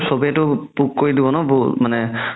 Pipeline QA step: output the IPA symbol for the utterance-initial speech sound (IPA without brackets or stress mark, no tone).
s